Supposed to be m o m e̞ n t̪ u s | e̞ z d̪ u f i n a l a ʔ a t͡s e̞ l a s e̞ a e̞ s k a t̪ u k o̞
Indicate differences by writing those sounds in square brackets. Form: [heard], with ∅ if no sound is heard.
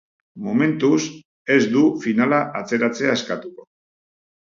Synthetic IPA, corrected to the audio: m o m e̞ n t̪ u s | e̞ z d̪ u f i n a l a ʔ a t͡s e̞ [ɾ] a [t͡s] e̞ a e̞ s k a t̪ u k o̞